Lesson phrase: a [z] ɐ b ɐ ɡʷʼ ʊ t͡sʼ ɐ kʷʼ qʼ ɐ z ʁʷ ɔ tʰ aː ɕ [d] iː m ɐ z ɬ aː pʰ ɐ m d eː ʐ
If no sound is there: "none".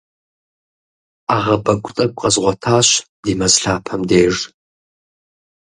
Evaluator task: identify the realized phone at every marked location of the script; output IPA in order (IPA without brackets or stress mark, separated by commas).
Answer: ʁ, d